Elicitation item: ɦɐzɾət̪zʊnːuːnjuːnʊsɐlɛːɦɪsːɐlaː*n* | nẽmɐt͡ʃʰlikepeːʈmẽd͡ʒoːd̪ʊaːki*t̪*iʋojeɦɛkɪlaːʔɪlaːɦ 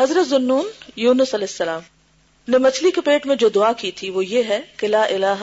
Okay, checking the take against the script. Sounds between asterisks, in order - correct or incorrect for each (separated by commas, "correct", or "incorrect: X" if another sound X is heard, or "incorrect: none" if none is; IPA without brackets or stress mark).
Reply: incorrect: m, incorrect: t̪ʰ